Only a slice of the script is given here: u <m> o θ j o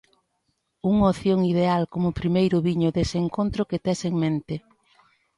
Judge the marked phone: incorrect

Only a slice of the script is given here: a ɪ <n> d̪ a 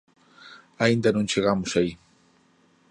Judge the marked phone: correct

